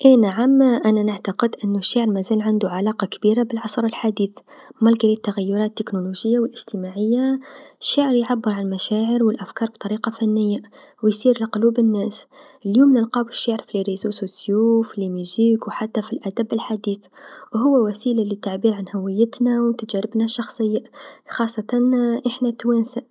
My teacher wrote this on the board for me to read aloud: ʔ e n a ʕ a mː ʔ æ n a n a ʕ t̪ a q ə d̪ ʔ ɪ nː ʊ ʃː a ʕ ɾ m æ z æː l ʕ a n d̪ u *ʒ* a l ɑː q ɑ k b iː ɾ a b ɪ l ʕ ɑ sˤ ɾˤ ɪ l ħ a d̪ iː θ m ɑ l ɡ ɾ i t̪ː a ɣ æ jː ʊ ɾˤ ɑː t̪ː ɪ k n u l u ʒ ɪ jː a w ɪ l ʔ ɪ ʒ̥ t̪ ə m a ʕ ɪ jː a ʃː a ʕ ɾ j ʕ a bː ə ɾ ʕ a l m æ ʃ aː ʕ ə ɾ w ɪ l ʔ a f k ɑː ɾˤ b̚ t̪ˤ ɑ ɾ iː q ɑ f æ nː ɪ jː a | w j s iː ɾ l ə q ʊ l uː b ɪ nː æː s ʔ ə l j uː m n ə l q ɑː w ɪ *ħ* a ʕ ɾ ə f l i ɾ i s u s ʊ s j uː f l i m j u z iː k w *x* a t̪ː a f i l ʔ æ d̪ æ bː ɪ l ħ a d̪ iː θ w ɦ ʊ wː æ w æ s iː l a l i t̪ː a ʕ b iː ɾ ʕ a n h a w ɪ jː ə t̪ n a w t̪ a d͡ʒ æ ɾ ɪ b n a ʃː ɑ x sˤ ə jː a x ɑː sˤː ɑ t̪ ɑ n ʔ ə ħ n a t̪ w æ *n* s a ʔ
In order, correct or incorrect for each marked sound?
incorrect, incorrect, incorrect, correct

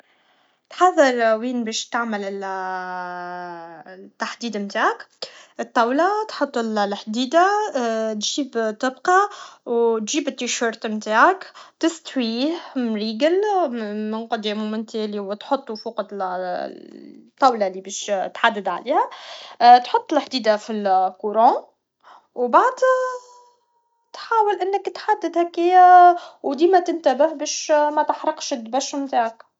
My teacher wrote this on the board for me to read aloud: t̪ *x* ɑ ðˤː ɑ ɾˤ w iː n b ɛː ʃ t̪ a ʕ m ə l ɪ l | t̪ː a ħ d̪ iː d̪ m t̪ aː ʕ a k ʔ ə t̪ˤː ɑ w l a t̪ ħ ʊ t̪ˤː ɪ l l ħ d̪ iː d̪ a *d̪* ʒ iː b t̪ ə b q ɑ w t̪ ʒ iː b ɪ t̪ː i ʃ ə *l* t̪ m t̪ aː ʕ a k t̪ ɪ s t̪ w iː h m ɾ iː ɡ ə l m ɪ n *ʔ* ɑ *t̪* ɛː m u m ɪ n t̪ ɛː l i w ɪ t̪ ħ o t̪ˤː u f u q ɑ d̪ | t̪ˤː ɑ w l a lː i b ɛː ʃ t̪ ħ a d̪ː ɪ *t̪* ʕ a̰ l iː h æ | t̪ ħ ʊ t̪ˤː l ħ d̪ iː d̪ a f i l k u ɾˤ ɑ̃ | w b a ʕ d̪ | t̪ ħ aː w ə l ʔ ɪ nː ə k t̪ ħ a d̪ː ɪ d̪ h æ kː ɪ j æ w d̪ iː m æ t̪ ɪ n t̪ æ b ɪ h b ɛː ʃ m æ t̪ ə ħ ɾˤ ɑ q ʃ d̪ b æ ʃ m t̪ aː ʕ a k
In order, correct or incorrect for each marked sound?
incorrect, incorrect, incorrect, incorrect, incorrect, incorrect

